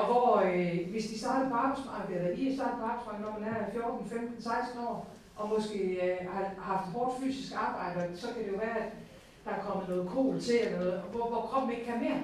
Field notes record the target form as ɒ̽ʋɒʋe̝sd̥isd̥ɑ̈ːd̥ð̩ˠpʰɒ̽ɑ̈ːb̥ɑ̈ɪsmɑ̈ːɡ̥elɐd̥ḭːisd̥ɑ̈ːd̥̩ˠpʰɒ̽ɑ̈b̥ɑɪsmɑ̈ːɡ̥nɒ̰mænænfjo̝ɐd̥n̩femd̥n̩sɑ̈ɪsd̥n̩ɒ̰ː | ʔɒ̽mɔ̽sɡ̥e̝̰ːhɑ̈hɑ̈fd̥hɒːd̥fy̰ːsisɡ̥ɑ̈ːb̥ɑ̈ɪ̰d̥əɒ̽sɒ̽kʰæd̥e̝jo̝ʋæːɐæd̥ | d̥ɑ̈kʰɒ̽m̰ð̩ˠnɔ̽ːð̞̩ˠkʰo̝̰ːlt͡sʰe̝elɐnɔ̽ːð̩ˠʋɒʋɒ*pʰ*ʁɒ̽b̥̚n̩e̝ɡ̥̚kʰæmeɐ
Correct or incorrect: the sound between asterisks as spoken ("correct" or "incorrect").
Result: incorrect